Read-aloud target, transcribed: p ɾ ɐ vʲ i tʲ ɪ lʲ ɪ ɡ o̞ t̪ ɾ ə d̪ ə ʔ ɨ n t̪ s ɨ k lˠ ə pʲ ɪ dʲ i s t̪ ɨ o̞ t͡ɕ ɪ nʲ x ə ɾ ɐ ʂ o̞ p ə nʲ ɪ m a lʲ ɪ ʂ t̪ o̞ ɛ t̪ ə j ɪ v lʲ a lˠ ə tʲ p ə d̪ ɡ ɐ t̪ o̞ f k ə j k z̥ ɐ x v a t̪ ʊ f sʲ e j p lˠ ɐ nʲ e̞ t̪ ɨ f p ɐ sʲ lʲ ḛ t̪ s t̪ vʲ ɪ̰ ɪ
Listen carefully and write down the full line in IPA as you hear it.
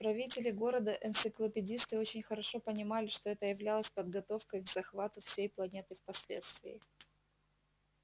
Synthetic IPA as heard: p ɾ ɐ vʲ i tʲ ɪ lʲ ɪ ɡ o̞ ɾ ə d̪ ə ʔ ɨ n t̪ s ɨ k lˠ ə pʲ ɪ dʲ i s t̪ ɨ o̞ t͡ɕ ɪ nʲ x ə ɾ ɐ ʂ o̞ p ə nʲ ɪ m a lʲ ɪ ʂ t̪ o̞ ɛ t̪ ə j ɪ v lʲ a lˠ ə sʲ p ə d̪ ɡ ɐ t̪ o̞ f k ə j ɡ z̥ ɐ x v a t̪ ʊ f sʲ e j p lˠ ɐ nʲ e̞ t̪ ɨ f p ɐ sʲ lʲ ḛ t̪ s t̪ vʲ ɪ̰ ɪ

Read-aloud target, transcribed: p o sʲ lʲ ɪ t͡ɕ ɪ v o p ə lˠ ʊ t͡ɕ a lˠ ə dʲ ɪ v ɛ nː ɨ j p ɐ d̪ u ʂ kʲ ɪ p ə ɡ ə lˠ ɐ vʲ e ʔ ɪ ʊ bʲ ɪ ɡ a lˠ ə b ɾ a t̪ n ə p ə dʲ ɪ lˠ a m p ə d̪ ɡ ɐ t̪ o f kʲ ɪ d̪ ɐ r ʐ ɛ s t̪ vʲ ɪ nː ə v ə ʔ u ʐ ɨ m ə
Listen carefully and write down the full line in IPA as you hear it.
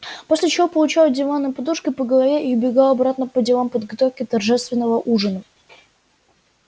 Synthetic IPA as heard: p o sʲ lʲ ɪ t͡ɕ ɪ v o p ə lˠ ʊ t͡ɕ a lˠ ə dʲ ɪ v a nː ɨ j p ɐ d̪ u ʂ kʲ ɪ p ə ɡ ə lˠ ɐ vʲ e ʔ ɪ ʊ bʲ ɪ ɡ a lˠ ɐ b ɾ a t̪ n ə p ə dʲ ɪ lˠ a m p ə d̪ ɡ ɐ t̪ o f kʲ ɪ t̪ ɐ r ʐ ɛ s t̪ vʲ ɪ nː ə v ə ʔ u ʐ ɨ n ə

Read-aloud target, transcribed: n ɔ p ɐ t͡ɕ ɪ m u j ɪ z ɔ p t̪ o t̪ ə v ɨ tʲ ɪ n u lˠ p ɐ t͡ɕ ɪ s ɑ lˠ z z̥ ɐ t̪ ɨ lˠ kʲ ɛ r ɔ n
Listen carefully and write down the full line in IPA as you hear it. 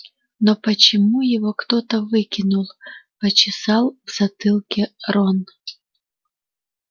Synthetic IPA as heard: n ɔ p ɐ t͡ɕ ɪ m u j ɪ v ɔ k t̪ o t̪ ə v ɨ kʲ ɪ n u lˠ p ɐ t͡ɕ ɪ s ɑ lˠ v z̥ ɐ t̪ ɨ lˠ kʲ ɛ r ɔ n

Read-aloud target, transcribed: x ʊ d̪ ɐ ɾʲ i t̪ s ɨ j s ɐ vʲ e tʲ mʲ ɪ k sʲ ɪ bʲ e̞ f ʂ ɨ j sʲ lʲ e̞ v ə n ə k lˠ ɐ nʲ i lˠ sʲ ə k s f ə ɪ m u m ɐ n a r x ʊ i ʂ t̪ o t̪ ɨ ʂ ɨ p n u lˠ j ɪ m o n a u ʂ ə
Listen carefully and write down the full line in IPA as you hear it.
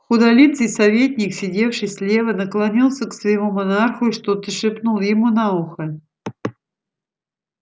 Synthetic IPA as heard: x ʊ d̪ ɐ lʲ i t̪ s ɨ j s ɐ vʲ e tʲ nʲ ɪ k sʲ ɪ dʲ e̞ f ʂ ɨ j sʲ lʲ e̞ v ə n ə k lˠ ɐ nʲ i lˠ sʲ ə k s v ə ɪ m u m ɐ n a r x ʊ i ʂ t̪ o t̪ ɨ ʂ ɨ p n u lˠ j ɪ m u n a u x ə

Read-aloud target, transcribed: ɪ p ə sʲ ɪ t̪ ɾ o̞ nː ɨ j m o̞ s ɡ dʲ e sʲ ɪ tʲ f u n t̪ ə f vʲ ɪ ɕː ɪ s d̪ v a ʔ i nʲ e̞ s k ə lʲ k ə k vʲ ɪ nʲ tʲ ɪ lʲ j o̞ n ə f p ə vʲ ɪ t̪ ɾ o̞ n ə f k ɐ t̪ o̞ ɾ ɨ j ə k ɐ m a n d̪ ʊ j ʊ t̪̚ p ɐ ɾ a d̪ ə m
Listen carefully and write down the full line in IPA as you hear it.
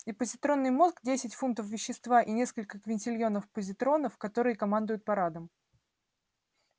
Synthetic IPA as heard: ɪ p ə zʲ ɪ t̪ ɾ o̞ nː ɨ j m o̞ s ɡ dʲ e sʲ ɪ tʲ f u n t̪ ə f vʲ ɪ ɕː ɪ s t̪ v a ʔ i nʲ e̞ s k ə lʲ k ə k vʲ ɪ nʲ tʲ ɪ lʲ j o̞ n ə f p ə zʲ ɪ t̪ ɾ o̞ n ə f k ɐ t̪ o̞ ɾ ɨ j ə k ɐ m a n d̪ ʊ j ʊ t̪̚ p ɐ ɾ a d̪ ə m

